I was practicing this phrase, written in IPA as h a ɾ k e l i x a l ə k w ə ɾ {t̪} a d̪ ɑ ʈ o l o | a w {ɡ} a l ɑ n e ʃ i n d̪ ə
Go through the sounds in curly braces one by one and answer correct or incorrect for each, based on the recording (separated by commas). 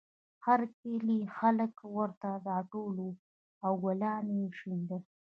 correct, correct